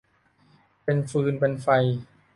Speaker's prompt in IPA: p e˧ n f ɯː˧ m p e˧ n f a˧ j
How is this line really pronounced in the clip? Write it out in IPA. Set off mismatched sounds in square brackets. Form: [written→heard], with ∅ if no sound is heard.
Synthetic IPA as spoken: p e˧ n f ɯː˧ [m→n] p e˧ n f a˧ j